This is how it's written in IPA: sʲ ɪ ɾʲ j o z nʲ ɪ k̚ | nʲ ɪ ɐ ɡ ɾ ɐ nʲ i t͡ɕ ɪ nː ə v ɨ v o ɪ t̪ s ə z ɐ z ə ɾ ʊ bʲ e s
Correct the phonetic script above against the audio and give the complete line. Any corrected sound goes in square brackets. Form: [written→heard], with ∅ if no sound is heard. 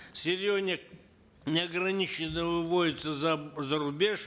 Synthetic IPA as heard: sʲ ɪ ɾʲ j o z nʲ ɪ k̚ | nʲ ɪ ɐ ɡ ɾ ɐ nʲ i t͡ɕ ɪ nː ə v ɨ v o ɪ t̪ s ə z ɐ z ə ɾ ʊ bʲ e [s→ʂ]